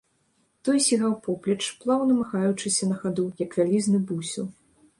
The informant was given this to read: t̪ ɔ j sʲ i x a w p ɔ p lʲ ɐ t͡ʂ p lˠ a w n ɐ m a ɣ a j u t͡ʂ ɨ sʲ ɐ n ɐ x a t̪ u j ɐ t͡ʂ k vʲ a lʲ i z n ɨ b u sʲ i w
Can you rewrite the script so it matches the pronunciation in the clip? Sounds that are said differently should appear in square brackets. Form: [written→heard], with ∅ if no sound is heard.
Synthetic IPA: t̪ ɔ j sʲ i [x→ɣ] a w p ɔ p lʲ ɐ t͡ʂ p lˠ a w n ɐ m a [ɣ→x] a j u t͡ʂ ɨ sʲ ɐ n ɐ x a [t̪→d̪] u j ɐ [t͡ʂ→∅] k vʲ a lʲ i z n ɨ b u sʲ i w